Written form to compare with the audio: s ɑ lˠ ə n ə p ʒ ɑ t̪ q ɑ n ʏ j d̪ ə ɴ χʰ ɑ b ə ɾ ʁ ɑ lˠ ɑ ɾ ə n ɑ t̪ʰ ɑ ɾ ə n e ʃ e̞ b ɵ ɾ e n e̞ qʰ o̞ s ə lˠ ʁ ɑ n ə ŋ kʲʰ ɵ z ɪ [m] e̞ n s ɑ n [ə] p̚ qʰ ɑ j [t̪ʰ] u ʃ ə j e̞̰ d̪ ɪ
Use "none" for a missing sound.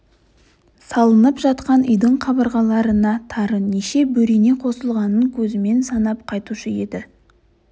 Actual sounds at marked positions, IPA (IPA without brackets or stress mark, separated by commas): m, ɑ, t̪